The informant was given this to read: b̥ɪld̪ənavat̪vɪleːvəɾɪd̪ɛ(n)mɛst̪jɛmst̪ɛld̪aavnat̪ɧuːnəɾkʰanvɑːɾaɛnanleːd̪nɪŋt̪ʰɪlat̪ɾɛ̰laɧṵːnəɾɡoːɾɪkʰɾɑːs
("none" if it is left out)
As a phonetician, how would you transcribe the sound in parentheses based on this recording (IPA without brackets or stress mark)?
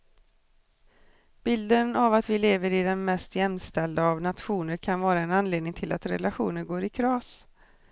n